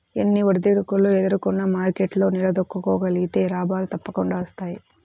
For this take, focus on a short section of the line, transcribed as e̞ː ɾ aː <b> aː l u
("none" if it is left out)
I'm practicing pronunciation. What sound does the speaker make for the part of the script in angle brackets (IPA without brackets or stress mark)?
b